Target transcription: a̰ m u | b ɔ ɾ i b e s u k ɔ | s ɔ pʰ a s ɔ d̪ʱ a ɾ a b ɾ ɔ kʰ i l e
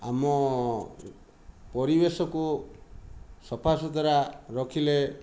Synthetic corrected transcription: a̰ m ɔ | p ɔ ɾ i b e s ɔ k u | s ɔ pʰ a s ɔ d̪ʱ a ɾ a ɾ ɔ kʰ i l e